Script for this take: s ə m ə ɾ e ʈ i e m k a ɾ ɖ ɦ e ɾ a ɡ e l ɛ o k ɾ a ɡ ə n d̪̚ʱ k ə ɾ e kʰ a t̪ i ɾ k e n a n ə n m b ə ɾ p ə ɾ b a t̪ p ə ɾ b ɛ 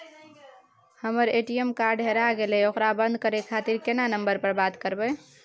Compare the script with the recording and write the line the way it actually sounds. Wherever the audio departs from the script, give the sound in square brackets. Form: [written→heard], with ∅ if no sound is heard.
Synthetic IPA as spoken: [s→h] ə m ə ɾ e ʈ i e m k a ɾ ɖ ɦ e ɾ a ɡ e l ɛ o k ɾ a [ɡ→b] ə n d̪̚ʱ k ə ɾ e kʰ a t̪ i ɾ k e n a n ə [n→∅] m b ə ɾ p ə ɾ b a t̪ [p→k] ə ɾ b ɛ